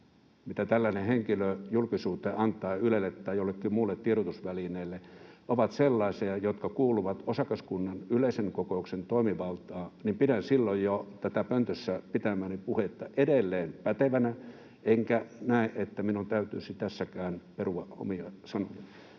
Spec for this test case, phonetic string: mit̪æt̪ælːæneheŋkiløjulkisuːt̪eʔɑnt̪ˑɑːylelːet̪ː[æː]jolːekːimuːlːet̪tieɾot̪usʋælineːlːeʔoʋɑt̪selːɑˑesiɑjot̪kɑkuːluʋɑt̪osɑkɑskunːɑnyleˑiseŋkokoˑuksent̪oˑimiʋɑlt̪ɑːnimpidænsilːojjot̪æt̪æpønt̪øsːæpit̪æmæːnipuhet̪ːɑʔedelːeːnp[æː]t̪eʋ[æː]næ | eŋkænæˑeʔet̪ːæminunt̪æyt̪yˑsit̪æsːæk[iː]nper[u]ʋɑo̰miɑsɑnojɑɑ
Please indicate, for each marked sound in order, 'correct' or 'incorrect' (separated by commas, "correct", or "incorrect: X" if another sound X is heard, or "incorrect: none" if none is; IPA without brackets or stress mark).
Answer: correct, incorrect: æ, incorrect: æ, incorrect: æː, correct